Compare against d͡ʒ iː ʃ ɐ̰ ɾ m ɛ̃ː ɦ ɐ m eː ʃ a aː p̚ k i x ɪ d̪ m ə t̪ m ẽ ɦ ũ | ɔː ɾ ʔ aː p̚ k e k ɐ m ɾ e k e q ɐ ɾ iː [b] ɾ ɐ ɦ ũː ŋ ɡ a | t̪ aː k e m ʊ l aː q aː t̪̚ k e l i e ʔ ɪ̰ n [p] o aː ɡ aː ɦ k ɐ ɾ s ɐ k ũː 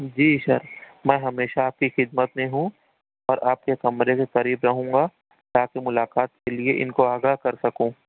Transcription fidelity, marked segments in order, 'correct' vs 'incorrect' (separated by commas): correct, incorrect